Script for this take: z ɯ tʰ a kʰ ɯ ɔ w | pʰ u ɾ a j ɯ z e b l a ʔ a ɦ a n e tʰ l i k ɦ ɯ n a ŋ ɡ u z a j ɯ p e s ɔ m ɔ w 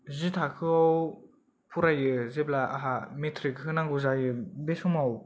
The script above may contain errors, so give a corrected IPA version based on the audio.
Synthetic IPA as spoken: z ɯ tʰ a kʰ ɯ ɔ w | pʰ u ɾ a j ɯ z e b l a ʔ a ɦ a m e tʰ ɾ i k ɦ ɯ n a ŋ ɡ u z a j ɯ b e s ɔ m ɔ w